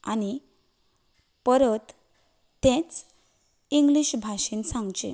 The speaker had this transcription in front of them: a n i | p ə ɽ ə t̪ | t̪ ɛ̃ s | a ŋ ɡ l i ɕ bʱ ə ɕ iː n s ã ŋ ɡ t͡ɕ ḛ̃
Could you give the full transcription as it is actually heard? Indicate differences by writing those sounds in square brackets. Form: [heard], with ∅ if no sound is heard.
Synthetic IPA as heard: a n i | p ə [ɾ] ə t̪ | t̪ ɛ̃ [t͡s] | [i] ŋ ɡ l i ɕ bʱ [a] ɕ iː n s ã ŋ ɡ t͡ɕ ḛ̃

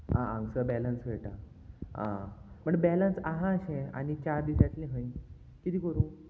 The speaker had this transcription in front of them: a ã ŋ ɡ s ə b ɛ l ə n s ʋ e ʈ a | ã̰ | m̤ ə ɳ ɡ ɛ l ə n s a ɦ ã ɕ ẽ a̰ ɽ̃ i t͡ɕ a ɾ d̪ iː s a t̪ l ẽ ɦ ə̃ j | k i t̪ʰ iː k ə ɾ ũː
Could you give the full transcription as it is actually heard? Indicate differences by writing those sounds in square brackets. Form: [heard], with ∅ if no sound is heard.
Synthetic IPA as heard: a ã ŋ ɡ s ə b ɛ l ə n s ʋ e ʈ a | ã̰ | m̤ ə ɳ [b] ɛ l ə n s a ɦ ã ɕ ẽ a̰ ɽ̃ i t͡ɕ a ɾ d̪ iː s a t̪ l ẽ ɦ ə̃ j | k i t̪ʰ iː k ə ɾ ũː

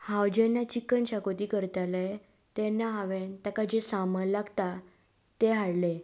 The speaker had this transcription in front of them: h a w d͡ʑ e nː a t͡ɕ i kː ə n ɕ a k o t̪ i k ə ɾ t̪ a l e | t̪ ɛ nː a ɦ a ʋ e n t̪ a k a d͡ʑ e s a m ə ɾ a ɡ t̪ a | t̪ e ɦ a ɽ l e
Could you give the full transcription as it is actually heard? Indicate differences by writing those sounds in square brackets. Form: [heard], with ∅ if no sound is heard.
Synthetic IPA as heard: h a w d͡ʑ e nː a t͡ɕ i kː ə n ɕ a k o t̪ i k ə ɾ t̪ a l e | t̪ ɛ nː a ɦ a ʋ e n t̪ a k a d͡ʑ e s a m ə [l] a ɡ t̪ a | t̪ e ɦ a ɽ l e

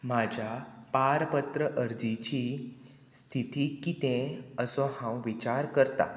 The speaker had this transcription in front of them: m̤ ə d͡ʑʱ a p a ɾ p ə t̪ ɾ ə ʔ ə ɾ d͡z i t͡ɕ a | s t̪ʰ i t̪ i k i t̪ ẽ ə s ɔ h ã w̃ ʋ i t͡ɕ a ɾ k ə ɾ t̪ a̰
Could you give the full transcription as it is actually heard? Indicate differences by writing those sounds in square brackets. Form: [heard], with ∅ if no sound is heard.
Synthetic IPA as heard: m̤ [a] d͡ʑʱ a p a ɾ p ə t̪ ɾ ə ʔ ə ɾ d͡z i t͡ɕ [i] | s t̪ʰ i t̪ i k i t̪ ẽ ə s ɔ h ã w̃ ʋ i t͡ɕ a ɾ k ə ɾ t̪ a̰

